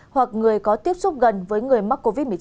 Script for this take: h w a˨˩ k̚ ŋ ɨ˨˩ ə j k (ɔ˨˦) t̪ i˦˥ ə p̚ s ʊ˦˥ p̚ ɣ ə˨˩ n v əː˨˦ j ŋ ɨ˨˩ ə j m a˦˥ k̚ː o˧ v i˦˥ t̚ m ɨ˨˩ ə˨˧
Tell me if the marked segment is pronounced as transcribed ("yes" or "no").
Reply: yes